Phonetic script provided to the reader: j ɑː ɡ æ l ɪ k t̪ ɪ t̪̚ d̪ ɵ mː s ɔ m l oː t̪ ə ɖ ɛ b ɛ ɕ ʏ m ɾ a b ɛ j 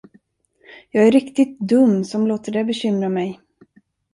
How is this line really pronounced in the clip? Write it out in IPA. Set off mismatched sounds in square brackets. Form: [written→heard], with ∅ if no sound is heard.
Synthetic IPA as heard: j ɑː ɡ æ [l→ɾ] ɪ k t̪ ɪ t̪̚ d̪ ɵ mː s ɔ m l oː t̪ ə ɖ ɛ b ɛ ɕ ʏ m ɾ a [b→m] ɛ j